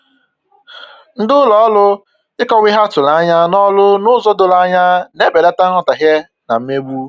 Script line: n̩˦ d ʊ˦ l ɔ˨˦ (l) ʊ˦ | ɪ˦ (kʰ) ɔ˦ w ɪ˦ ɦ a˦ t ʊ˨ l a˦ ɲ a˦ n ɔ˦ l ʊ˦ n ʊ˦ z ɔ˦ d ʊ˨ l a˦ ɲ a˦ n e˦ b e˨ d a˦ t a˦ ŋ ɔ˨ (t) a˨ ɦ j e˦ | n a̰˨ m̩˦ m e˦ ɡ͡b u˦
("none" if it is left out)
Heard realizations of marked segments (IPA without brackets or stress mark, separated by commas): l, k, t